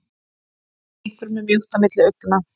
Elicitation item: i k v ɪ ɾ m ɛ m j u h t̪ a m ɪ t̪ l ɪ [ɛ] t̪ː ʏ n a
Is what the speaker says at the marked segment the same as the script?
no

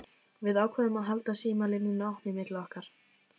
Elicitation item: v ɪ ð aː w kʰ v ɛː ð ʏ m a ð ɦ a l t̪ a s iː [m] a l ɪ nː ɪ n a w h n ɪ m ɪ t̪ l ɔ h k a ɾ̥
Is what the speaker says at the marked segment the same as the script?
yes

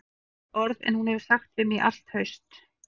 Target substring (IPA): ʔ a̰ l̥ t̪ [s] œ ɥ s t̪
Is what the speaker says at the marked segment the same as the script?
no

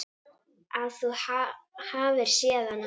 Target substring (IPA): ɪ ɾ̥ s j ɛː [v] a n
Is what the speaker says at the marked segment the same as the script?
no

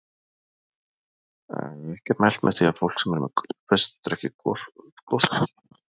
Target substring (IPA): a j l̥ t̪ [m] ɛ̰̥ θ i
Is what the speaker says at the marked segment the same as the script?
yes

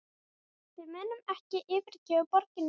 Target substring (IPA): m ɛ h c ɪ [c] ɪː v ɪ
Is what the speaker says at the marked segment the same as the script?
no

